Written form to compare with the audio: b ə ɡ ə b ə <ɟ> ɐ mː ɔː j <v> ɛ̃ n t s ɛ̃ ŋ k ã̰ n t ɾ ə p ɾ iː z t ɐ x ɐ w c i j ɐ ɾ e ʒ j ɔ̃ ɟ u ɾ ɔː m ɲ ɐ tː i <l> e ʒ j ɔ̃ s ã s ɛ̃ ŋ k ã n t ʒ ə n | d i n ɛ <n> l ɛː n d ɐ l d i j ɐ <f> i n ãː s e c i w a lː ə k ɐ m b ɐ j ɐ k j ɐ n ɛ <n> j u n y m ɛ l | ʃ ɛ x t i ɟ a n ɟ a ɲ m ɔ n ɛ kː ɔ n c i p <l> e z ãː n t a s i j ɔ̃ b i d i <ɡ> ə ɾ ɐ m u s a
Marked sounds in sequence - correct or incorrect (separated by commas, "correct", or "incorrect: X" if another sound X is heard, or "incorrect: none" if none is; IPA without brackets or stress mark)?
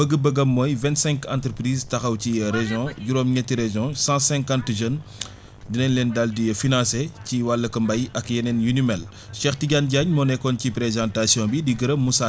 incorrect: ɡ, correct, incorrect: ɾ, correct, correct, correct, incorrect: ɾ, correct